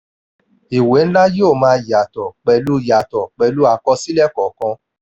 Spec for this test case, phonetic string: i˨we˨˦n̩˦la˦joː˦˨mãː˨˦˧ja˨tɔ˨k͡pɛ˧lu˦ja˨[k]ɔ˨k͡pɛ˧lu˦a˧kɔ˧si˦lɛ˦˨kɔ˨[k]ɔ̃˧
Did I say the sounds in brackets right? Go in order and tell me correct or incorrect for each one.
incorrect: t, correct

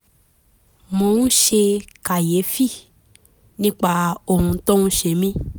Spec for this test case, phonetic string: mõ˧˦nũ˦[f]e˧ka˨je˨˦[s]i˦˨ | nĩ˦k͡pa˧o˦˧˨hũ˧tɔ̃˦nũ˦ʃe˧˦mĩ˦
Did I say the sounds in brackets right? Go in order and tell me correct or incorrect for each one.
incorrect: ʃ, incorrect: f

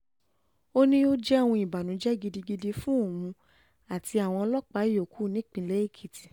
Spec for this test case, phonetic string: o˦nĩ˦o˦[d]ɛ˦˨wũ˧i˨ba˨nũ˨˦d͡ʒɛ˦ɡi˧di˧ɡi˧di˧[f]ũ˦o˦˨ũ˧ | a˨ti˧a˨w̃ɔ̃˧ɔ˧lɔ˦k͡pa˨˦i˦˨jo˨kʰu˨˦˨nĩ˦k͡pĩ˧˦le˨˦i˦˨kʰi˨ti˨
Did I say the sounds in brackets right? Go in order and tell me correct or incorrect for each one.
incorrect: d͡ʒ, correct

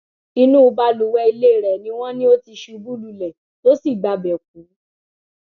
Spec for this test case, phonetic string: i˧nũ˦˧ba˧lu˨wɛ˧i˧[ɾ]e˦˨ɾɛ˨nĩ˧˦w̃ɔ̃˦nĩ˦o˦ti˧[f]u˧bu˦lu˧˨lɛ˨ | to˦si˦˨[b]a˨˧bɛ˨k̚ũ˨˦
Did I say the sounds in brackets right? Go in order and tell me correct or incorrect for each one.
incorrect: l, incorrect: ʃ, incorrect: ɡ͡b

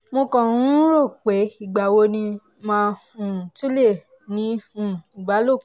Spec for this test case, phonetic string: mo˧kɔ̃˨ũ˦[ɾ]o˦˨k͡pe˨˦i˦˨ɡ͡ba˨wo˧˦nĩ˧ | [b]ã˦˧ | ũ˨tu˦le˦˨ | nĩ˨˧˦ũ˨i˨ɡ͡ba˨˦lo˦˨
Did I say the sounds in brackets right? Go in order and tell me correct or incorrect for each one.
correct, incorrect: m

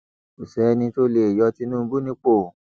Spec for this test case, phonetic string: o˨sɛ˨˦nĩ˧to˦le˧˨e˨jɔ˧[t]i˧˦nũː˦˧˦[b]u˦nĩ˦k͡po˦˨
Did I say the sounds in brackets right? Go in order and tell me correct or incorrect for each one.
correct, correct

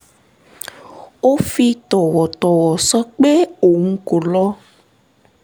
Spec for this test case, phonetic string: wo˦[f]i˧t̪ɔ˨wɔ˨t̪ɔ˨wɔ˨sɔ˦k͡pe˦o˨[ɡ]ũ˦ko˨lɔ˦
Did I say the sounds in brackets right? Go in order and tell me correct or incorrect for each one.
correct, incorrect: ŋ

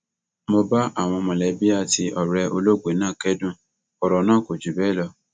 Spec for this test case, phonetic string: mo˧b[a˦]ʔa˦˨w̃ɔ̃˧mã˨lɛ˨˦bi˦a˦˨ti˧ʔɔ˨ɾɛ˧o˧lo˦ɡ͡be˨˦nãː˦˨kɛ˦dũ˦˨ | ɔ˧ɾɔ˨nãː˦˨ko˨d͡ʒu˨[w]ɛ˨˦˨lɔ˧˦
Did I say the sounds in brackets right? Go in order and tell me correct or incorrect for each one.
correct, incorrect: b

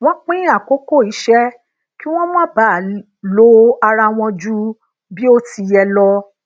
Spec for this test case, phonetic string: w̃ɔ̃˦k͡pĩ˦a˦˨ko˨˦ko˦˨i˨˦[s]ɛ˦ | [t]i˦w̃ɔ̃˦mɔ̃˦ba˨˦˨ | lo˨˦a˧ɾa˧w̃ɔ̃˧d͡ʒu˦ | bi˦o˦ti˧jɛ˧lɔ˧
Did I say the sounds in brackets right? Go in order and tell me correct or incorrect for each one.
incorrect: ʃ, incorrect: k

